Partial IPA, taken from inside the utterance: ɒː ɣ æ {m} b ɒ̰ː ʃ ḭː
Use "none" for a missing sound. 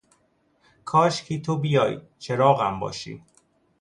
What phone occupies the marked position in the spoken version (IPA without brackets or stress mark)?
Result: m